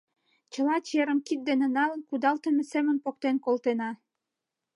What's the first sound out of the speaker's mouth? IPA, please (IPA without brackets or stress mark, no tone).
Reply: t͡ɕ